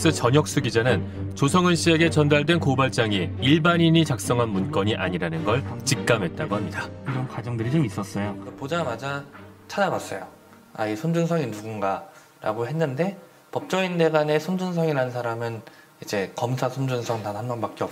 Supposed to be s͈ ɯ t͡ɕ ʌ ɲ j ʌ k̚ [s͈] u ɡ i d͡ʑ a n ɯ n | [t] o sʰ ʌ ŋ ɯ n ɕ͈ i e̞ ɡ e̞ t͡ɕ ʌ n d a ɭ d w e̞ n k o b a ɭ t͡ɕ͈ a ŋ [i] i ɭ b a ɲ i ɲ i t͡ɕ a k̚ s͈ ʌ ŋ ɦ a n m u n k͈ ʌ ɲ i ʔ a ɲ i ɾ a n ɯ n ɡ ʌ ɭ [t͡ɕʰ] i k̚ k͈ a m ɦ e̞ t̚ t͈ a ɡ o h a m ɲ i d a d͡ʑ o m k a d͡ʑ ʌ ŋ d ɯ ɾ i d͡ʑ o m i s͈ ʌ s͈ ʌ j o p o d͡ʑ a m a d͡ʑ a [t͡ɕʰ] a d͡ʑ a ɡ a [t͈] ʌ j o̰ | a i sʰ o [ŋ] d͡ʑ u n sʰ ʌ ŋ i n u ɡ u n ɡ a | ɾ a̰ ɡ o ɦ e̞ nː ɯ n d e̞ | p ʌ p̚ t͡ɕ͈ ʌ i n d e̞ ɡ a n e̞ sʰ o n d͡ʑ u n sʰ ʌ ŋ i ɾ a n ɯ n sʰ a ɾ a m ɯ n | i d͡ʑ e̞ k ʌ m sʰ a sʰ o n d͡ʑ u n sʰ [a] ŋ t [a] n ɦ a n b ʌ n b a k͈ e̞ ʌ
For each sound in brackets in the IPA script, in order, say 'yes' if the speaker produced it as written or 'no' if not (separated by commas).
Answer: yes, no, yes, no, yes, no, no, no, yes